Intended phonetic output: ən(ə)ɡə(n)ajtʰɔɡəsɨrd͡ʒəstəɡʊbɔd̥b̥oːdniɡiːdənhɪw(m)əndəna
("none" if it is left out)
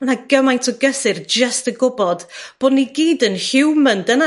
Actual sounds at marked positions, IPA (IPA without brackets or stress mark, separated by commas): a, m, m